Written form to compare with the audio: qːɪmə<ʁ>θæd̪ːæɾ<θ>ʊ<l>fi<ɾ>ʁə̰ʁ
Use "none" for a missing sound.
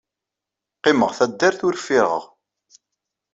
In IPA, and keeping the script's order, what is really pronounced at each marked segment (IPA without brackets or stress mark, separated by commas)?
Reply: ʁ, θ, ɾ, ɾ